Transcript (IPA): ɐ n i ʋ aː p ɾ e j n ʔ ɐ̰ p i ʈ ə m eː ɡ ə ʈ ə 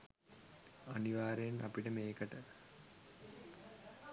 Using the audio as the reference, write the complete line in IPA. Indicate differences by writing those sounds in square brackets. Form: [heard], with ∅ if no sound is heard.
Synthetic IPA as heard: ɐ n i ʋ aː [∅] ɾ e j n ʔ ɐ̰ p i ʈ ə m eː [k] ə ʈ ə